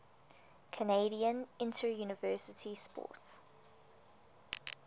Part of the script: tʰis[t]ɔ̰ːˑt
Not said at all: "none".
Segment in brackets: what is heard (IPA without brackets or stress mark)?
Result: p